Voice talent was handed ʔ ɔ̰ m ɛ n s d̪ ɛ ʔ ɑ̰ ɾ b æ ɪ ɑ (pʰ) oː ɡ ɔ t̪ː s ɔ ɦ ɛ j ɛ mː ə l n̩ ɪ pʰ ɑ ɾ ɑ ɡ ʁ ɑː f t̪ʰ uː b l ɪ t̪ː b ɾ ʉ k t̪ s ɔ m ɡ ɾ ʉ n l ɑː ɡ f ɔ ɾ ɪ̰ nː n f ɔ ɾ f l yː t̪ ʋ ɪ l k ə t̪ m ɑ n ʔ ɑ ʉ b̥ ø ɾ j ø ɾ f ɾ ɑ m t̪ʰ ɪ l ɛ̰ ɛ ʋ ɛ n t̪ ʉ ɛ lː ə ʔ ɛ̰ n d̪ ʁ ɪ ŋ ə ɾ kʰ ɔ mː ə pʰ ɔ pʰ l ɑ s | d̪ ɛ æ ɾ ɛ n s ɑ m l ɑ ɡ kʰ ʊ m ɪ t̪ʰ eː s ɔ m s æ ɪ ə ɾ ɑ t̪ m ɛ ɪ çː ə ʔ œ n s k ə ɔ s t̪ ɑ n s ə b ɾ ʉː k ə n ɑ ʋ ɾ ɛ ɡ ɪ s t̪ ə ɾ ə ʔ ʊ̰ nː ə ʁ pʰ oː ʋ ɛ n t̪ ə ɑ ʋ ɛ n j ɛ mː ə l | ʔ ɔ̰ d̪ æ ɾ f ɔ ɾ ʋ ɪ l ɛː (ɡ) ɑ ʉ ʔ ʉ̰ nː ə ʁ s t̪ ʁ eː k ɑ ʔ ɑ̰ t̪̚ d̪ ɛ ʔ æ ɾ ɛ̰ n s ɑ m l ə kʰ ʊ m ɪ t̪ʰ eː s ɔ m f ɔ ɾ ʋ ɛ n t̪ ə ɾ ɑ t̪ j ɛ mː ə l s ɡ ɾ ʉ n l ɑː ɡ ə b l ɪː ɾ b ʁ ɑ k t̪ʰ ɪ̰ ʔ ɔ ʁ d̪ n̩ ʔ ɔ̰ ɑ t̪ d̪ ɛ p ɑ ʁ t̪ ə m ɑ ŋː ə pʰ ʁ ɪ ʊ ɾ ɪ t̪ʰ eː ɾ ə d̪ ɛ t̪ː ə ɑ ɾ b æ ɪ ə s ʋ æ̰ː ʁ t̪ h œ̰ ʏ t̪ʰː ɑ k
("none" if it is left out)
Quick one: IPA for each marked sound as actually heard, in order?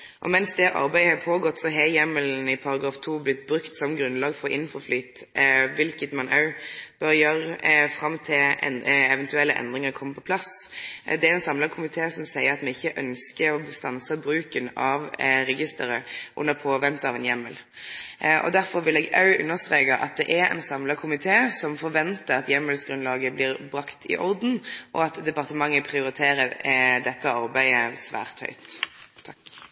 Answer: pʰ, ɡ

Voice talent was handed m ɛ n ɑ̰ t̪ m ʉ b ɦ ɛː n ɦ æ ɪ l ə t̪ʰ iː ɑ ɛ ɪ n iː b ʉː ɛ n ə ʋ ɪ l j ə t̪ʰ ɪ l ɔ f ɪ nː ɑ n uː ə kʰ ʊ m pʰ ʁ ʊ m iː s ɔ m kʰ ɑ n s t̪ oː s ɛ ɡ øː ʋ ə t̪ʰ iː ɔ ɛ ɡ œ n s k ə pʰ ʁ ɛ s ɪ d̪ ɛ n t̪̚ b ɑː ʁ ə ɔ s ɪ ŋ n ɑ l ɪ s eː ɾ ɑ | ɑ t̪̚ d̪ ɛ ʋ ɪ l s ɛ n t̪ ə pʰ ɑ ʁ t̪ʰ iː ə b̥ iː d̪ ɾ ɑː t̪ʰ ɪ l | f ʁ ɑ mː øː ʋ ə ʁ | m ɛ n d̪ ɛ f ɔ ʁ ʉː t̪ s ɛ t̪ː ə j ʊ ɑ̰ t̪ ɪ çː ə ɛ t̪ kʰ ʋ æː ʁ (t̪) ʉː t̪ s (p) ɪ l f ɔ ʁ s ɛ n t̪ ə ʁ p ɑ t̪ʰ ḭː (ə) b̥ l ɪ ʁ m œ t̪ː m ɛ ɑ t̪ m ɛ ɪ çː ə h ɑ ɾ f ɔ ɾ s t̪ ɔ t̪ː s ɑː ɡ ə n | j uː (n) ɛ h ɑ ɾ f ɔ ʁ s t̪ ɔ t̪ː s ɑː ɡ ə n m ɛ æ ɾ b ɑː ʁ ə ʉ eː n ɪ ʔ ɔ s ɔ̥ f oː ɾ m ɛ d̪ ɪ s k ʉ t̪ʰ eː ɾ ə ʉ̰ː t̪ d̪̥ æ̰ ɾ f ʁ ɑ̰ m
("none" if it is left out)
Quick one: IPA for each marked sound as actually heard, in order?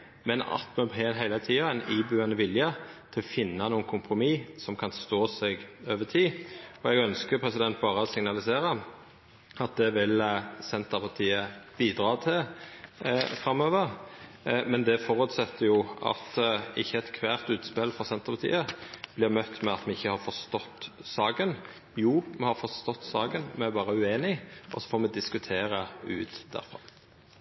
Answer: t̪, p, ə, m

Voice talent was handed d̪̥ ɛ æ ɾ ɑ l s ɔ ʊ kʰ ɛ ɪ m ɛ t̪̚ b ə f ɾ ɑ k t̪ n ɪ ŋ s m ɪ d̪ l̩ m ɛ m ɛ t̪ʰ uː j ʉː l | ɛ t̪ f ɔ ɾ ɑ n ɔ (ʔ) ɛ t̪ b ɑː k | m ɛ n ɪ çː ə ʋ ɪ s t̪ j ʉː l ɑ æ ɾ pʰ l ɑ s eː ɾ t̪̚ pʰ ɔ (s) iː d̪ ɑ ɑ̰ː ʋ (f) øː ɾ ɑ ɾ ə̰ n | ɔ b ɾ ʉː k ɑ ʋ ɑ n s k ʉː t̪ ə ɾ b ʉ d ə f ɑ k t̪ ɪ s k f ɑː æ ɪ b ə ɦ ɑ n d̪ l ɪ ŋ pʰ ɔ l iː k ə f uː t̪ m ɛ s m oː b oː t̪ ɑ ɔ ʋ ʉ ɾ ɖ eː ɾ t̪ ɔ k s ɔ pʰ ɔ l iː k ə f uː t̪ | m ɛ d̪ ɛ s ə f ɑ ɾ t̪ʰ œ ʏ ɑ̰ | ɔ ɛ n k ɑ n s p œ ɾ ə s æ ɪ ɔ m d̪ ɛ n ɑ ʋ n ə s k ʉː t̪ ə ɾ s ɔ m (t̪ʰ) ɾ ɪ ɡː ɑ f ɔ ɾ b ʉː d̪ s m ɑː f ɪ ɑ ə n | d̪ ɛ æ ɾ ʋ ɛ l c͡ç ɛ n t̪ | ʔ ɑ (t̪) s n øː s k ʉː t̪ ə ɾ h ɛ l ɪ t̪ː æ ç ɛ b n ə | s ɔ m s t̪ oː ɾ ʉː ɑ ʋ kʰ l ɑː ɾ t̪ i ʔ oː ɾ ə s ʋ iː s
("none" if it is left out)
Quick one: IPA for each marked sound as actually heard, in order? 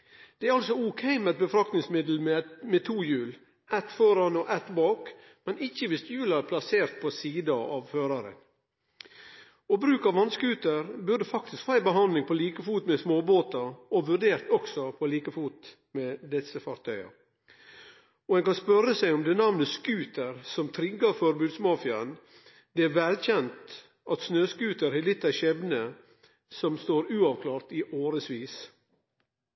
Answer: ʔ, s, f, t̪ʰ, t̪

